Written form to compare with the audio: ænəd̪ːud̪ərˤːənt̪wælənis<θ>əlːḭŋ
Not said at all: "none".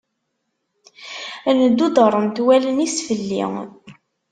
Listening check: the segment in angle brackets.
f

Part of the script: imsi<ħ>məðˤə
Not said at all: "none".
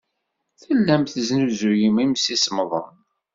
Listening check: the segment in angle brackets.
s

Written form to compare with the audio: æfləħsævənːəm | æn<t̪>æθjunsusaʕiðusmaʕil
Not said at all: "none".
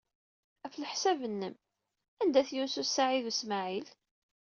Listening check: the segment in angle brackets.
d̪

